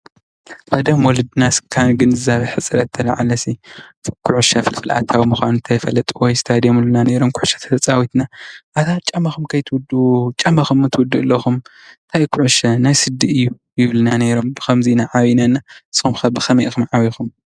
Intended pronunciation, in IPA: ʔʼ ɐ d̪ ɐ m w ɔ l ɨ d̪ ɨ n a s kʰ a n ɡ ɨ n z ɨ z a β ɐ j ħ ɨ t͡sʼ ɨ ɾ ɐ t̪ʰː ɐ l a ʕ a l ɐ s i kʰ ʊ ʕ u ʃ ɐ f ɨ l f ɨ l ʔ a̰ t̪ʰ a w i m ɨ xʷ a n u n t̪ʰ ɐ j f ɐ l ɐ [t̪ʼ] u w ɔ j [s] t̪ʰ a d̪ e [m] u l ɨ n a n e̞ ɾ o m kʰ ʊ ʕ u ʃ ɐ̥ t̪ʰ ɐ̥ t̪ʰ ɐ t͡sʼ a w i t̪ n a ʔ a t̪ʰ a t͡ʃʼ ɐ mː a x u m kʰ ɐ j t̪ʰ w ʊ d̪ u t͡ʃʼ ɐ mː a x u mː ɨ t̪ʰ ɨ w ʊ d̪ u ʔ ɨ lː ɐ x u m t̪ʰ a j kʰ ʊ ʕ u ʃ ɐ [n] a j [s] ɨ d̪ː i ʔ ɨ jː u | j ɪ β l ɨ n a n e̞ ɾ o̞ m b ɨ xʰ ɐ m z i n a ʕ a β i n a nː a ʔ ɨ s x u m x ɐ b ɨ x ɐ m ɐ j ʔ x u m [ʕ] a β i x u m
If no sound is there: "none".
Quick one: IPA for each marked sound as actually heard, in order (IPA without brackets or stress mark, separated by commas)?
t̪ʼ, s, m, n, s, ʕ